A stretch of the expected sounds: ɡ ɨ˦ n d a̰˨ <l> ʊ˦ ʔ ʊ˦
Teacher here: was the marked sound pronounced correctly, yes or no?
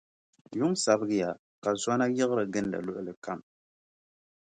yes